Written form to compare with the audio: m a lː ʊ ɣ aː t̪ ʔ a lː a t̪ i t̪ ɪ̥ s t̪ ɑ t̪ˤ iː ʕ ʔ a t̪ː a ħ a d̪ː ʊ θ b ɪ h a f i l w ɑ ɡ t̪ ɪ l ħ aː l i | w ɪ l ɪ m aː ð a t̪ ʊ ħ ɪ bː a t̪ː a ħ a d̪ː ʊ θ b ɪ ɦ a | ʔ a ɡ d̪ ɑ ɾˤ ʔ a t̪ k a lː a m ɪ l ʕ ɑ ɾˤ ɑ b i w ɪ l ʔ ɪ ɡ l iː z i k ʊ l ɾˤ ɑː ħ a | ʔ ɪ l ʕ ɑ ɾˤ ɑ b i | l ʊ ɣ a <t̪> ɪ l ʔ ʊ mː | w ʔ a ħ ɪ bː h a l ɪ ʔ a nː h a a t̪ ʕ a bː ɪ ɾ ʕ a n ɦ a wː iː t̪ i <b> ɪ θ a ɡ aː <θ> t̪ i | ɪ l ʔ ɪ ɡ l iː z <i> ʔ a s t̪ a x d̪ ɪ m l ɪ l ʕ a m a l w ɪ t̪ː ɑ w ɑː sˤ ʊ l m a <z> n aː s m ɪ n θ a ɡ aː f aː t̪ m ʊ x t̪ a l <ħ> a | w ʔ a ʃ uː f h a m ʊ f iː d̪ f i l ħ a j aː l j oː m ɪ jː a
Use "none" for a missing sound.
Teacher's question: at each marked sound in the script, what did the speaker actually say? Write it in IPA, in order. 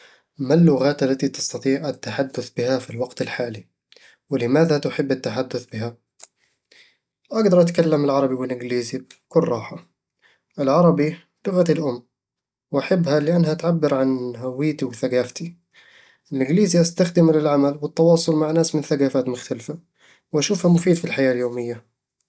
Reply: t̪, w, f, i, ʕ, f

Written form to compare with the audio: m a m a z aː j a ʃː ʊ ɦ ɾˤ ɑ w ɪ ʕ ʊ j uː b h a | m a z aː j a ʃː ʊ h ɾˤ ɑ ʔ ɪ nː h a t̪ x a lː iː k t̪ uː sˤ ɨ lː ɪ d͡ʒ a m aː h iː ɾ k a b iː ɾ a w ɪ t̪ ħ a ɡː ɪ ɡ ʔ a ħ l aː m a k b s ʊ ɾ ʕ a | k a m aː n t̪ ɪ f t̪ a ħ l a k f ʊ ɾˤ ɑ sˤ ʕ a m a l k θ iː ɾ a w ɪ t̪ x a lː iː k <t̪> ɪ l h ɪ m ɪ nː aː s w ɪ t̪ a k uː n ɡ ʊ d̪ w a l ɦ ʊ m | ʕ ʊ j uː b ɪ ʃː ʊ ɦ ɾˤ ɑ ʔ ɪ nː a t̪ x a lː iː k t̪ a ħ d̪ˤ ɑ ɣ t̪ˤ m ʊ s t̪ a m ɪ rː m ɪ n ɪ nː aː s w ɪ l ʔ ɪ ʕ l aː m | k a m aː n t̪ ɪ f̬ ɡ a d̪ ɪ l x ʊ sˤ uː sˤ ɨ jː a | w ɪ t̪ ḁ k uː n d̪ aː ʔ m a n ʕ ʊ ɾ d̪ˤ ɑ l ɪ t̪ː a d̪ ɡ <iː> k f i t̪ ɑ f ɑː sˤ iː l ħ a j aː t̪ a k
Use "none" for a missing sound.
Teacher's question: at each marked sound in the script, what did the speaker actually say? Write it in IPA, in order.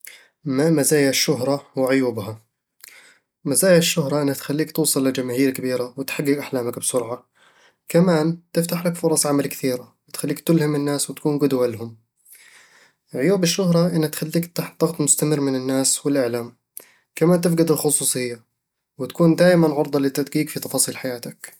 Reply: t̪, iː

